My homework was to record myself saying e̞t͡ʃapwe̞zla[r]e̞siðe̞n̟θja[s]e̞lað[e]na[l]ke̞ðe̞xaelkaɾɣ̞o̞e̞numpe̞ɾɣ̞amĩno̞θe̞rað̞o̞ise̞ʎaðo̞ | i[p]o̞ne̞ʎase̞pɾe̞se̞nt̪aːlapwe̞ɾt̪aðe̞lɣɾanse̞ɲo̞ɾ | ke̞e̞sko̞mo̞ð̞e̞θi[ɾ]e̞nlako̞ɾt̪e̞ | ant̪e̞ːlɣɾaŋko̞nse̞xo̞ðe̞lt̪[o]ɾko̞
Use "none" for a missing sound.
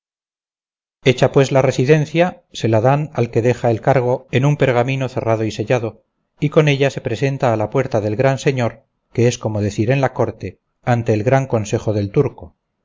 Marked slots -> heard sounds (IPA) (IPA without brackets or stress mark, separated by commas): r, s, a, l, k, ɾ, u